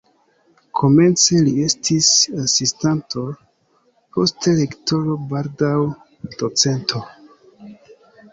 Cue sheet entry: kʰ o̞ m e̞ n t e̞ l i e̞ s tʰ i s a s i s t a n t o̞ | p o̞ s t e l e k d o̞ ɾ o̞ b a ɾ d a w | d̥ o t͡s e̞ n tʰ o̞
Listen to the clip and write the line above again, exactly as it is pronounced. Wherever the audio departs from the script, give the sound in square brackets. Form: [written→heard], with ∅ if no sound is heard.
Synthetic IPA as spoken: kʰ o̞ m e̞ n [t→t͡s] e̞ l i e̞ s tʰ i s a s i s t a n t o̞ | p o̞ s t e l e k [d→t] o̞ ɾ o̞ b a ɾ d a w | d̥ o t͡s e̞ n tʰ o̞